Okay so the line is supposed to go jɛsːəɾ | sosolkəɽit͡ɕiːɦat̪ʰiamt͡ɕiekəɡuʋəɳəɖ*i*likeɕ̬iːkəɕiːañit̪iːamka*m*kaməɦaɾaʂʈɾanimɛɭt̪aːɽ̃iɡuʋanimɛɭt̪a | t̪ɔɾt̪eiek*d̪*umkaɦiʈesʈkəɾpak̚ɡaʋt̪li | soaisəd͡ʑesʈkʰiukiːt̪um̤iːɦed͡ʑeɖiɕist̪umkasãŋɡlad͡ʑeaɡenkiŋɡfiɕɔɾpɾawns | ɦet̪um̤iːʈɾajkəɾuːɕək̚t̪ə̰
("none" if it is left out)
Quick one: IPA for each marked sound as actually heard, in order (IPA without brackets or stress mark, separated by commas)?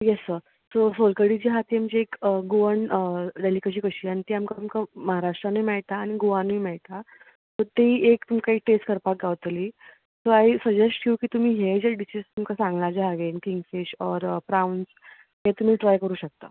e, m, t̪